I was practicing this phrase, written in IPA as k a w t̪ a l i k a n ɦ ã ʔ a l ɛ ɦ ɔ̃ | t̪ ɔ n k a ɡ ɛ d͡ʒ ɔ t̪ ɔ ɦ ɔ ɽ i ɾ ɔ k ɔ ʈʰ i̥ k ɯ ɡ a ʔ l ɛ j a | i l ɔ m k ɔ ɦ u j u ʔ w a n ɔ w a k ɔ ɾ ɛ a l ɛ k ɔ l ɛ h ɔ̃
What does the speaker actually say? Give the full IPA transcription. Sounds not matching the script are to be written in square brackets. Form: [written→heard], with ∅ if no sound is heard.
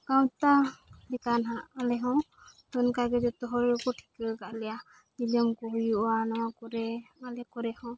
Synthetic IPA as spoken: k a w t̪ a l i k a n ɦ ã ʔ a l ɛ ɦ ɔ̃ | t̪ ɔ n k a ɡ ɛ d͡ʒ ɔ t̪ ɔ ɦ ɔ [ɽ→ɾ] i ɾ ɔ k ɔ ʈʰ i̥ k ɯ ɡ a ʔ l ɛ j a | i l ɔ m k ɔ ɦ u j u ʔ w a n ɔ w a k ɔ ɾ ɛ a l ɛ k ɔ [l→ɾ] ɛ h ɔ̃